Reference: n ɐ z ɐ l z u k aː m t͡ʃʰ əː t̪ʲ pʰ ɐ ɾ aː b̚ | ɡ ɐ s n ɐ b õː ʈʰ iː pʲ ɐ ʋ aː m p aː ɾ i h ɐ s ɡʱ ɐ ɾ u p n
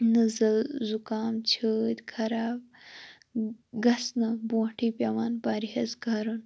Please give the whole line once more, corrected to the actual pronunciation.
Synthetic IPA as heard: n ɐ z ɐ l z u k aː m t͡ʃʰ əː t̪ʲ kʰ ɐ ɾ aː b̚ | ɡ ɐ s n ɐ b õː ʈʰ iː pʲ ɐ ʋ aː n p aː ɾ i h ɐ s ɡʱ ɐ ɾ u n